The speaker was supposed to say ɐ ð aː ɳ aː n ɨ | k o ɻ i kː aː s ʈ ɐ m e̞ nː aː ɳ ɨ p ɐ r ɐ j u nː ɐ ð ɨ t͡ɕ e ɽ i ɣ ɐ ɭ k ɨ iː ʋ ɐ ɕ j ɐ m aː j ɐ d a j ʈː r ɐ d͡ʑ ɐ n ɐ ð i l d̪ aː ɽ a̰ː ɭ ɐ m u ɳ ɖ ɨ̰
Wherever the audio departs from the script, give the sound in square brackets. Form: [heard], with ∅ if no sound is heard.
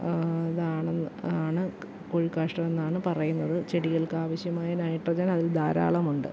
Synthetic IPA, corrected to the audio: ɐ ð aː ɳ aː [ɳ] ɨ | k o ɻ i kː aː [ʂ] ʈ ɐ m e̞ nː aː ɳ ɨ p ɐ r ɐ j u nː ɐ ð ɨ t͡ɕ e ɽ i ɣ ɐ ɭ k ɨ [aː] ʋ ɐ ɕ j ɐ m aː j ɐ [n] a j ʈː r ɐ d͡ʑ ɐ n ɐ ð i l d̪ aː [ɾ] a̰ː ɭ ɐ m u ɳ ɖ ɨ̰